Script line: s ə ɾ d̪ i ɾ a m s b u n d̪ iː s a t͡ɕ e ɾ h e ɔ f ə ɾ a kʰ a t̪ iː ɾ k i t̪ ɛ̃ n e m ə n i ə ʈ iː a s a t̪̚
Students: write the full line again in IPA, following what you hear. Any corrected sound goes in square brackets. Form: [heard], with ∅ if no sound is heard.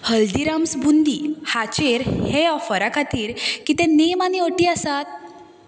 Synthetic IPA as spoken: [h] ə [l] d̪ i ɾ a m s b u n d̪ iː [h] a t͡ɕ e ɾ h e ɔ f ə ɾ a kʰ a t̪ iː ɾ k i t̪ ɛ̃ n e m [a] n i ə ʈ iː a s a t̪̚